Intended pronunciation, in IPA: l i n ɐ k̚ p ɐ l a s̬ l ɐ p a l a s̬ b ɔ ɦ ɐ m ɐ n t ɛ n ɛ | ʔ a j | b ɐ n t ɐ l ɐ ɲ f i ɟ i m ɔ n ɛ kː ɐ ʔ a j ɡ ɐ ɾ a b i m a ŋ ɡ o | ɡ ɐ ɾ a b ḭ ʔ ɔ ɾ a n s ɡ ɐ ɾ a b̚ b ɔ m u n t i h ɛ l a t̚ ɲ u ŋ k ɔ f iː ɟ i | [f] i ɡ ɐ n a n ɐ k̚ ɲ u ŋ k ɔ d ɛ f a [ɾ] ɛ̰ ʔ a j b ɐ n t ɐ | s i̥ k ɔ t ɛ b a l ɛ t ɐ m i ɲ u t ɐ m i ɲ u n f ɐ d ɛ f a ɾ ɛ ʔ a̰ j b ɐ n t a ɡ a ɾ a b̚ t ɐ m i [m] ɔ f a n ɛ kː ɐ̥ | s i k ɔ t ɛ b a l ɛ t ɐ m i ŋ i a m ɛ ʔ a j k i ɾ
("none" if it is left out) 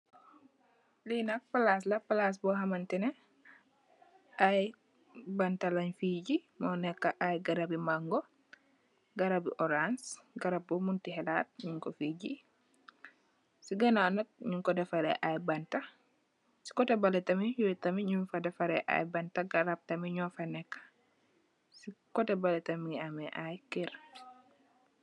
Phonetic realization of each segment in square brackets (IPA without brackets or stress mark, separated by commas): s, ɾ, ɲ